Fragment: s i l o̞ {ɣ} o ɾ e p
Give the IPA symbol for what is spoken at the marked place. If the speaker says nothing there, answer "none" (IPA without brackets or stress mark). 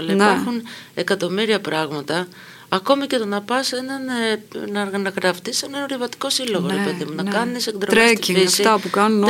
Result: ɣ